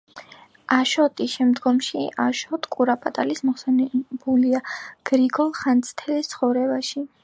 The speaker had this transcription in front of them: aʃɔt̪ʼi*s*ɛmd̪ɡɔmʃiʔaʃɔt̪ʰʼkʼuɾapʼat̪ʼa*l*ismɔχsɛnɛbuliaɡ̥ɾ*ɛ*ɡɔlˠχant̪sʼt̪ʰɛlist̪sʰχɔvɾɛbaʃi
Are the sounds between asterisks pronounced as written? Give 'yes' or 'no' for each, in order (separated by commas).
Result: no, yes, no